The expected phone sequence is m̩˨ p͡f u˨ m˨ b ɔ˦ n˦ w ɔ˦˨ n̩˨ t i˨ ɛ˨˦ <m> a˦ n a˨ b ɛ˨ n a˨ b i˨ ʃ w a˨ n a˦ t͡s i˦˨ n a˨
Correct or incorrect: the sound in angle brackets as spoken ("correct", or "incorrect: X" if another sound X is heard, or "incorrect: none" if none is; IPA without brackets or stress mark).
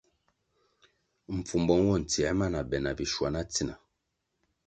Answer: correct